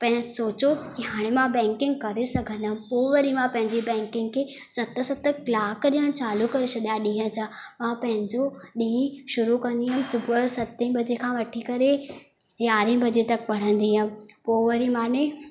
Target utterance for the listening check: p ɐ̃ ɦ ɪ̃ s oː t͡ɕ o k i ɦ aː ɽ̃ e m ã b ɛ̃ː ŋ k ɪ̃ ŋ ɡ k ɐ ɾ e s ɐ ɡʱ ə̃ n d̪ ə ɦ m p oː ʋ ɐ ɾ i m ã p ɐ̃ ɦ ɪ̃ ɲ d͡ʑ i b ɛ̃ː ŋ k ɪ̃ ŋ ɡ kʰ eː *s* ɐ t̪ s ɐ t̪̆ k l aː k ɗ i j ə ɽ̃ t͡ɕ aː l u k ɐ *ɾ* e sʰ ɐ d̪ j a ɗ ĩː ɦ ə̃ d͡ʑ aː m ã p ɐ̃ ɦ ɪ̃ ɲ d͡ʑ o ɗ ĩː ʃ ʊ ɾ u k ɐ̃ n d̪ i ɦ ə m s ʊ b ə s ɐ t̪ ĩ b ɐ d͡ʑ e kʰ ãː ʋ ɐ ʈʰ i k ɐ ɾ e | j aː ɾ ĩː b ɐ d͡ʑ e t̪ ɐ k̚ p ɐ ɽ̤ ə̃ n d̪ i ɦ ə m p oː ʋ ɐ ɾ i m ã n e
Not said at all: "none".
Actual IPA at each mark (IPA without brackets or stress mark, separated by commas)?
s, ɾ